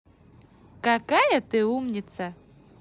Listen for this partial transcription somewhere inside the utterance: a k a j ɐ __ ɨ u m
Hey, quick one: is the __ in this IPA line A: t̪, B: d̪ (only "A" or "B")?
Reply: A